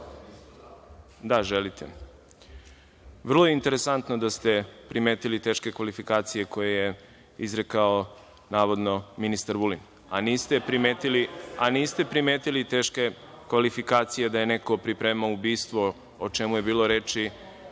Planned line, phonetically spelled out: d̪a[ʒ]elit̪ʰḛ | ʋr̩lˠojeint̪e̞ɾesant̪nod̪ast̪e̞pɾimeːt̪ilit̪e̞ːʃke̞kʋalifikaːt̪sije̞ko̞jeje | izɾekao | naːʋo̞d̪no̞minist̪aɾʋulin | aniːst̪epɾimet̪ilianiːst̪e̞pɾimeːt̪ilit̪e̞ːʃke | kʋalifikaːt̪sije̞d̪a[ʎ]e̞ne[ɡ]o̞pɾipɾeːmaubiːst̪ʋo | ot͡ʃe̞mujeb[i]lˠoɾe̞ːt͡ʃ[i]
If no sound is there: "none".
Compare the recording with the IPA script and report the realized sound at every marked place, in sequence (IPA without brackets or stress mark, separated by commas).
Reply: ʒ, j, k, iː, i